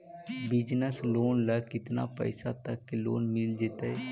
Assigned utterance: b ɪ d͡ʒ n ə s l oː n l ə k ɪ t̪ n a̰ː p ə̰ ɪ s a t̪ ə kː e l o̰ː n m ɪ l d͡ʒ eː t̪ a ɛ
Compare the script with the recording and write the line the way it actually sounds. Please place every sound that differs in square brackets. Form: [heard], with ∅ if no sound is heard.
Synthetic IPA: b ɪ d͡ʒ n ə s l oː n l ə k ɪ t̪ n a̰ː p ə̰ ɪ s a t̪ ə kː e l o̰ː n m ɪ l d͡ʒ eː t̪ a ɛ